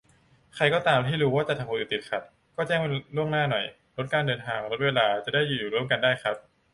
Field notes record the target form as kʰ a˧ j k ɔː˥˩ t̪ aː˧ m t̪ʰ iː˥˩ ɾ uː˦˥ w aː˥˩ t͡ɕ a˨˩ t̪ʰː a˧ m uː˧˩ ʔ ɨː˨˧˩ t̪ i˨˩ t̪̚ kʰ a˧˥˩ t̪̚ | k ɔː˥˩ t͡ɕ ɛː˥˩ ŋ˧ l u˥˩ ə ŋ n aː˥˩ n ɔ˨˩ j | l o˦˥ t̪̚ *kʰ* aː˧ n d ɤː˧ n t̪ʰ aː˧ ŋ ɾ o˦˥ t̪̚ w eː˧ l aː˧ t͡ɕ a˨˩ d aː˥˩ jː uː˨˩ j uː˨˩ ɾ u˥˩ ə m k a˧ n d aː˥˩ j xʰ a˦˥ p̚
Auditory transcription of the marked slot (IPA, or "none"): k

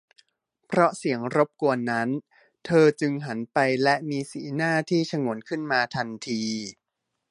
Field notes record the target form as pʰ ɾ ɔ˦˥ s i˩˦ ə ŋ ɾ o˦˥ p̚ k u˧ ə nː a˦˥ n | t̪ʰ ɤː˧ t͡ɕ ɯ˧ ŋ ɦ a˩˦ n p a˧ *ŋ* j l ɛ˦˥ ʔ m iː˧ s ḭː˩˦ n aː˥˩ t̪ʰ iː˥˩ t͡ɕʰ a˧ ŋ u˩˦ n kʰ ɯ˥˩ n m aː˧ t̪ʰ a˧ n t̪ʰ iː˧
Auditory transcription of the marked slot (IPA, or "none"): none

